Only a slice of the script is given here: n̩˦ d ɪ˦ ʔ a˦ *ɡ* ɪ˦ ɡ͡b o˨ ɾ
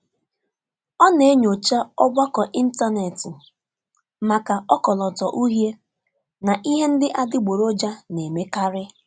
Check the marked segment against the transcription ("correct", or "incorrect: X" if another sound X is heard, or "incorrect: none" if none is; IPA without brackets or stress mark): incorrect: d